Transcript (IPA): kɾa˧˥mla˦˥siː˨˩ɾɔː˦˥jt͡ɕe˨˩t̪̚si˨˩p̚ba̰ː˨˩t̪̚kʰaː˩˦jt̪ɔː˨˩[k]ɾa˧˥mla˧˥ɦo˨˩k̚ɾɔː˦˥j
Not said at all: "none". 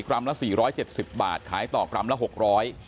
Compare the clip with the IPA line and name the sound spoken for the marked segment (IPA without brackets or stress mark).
k